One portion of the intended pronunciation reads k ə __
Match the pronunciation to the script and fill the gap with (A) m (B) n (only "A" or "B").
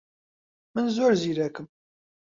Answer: A